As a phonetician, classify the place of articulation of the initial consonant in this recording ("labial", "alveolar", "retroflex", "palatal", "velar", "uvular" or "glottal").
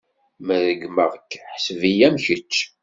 labial